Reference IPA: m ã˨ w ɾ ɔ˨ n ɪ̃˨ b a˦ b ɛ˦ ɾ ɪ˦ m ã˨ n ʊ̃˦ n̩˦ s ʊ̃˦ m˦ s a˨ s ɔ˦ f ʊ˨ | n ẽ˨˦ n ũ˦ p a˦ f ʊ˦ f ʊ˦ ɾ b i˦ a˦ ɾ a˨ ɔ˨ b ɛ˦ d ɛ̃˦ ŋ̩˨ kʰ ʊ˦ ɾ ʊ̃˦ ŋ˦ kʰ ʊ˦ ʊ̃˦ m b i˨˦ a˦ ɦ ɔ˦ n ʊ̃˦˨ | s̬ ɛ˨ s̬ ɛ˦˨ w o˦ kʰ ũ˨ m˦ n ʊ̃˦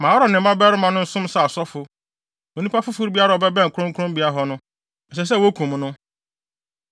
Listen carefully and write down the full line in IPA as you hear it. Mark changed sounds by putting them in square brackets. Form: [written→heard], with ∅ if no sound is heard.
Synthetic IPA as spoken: m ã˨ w ɾ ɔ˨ n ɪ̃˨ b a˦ b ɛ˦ ɾ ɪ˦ m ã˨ n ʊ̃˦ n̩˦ s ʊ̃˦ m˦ s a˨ s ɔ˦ f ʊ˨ | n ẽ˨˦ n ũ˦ p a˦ f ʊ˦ f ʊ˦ ɾ b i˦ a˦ ɾ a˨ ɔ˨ b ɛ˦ [d→b] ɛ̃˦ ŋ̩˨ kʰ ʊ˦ ɾ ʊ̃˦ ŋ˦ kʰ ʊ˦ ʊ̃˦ m b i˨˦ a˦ ɦ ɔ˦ n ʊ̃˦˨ | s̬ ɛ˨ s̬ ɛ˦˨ w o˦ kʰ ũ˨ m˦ n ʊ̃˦

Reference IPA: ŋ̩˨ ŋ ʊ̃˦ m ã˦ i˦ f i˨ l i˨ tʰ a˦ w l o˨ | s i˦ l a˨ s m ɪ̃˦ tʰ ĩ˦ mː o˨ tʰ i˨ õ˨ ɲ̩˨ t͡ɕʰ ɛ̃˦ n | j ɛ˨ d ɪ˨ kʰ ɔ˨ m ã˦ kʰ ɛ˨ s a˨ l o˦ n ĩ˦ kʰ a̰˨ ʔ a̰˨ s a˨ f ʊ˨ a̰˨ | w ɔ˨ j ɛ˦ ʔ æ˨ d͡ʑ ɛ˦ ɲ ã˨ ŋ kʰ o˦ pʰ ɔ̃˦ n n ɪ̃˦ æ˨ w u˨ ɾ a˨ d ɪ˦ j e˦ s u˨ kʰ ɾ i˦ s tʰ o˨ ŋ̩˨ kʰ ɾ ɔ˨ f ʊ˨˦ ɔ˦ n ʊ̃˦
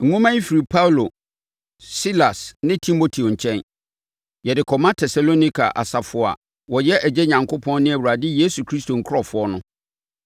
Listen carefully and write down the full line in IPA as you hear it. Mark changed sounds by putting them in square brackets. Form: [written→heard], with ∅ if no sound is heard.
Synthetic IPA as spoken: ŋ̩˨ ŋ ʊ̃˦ m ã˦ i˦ f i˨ [l→ɾ] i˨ [tʰ→pʰ] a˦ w l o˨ | s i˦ l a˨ s [m→n] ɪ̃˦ tʰ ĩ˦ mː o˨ tʰ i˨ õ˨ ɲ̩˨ t͡ɕʰ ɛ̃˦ n | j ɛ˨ d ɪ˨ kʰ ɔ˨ m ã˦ [kʰ→tʰ] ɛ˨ s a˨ l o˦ n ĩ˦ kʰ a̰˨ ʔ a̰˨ s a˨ f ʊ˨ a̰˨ | w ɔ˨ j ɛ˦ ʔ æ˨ d͡ʑ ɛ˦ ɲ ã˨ ŋ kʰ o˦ pʰ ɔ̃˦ n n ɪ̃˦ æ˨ w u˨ ɾ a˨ d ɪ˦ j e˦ s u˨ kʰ ɾ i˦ s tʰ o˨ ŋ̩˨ kʰ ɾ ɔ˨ f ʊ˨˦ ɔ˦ n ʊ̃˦

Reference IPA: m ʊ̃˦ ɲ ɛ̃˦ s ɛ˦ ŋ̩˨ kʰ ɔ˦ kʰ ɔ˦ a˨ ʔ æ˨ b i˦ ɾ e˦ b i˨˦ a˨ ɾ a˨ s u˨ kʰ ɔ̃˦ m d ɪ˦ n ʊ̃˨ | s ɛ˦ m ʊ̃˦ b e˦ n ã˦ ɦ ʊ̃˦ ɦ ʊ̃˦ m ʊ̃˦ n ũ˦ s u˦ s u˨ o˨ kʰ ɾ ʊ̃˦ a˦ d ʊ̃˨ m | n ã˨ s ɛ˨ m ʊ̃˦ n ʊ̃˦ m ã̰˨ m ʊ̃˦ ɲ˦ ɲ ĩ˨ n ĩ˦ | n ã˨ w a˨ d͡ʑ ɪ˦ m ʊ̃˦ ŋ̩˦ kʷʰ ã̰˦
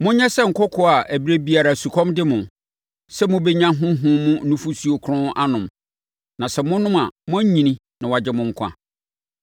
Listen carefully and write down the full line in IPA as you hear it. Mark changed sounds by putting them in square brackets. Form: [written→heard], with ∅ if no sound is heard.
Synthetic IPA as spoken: m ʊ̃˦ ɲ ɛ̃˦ s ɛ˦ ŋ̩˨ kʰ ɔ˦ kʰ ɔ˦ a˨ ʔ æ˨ b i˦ ɾ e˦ b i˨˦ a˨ ɾ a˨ s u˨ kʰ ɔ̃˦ m d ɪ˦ [n→m] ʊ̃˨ | s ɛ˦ m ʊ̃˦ b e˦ [n→ɲ] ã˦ ɦ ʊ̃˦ ɦ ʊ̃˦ m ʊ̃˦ n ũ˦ [s→f] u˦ s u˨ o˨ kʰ ɾ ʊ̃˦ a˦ [d→n] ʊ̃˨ m | n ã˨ s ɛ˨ m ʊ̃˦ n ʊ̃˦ m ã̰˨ m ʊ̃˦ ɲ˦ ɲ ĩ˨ n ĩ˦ | n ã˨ w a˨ d͡ʑ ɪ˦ m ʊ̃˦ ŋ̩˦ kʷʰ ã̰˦

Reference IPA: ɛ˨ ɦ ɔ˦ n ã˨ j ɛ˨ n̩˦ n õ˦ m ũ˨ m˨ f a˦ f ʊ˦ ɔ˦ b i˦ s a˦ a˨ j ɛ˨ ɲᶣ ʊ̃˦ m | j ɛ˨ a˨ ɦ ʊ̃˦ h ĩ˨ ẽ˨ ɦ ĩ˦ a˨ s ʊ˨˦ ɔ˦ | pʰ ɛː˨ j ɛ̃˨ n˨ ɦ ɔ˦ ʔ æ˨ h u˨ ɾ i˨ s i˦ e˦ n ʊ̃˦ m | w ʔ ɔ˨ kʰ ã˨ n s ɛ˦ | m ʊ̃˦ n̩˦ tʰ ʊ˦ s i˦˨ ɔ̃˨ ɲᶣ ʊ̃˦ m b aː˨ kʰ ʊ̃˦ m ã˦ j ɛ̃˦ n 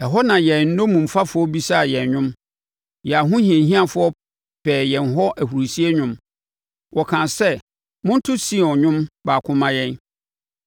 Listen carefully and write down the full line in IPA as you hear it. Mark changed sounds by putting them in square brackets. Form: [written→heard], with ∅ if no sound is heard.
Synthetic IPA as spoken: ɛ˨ ɦ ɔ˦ n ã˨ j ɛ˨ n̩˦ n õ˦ m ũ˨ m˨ f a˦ f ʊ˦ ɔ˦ b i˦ s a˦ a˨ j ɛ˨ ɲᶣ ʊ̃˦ m | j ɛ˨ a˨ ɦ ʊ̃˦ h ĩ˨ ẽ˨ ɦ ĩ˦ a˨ [s→f] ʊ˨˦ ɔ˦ | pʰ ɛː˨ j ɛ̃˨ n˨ ɦ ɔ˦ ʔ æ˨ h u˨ ɾ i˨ s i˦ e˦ [n→ɲ] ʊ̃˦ m | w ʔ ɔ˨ kʰ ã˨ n s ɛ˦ | m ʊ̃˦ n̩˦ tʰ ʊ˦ s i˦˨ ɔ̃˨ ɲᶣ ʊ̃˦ m b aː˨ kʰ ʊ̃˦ m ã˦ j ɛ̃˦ n

